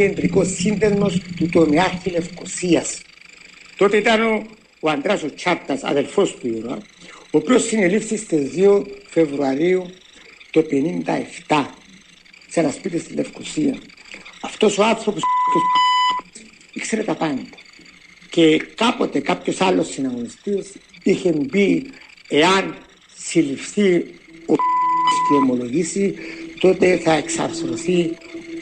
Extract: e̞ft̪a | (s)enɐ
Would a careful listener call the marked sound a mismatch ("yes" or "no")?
no